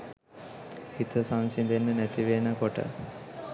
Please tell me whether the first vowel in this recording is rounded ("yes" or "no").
no